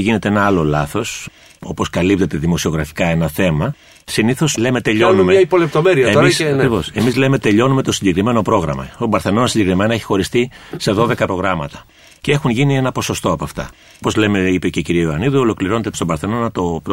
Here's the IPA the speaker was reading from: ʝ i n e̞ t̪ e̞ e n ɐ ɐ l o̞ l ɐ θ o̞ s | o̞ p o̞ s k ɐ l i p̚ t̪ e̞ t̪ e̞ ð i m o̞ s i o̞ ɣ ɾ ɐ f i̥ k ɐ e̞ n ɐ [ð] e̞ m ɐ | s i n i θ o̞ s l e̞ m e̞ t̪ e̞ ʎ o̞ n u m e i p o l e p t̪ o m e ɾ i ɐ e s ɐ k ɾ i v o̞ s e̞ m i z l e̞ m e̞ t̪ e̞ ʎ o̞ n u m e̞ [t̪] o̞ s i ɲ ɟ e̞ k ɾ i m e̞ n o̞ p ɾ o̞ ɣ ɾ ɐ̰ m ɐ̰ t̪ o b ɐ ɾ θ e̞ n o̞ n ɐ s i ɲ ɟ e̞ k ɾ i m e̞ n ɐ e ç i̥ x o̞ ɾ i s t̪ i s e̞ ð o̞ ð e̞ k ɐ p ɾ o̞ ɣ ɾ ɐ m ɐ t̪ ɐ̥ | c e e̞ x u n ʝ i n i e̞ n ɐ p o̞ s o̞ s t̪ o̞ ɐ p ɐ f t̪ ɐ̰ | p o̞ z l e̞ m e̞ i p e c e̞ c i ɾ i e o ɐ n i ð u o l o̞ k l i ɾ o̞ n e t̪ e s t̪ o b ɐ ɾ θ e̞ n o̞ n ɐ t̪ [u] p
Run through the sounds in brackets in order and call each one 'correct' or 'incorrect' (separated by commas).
incorrect, correct, incorrect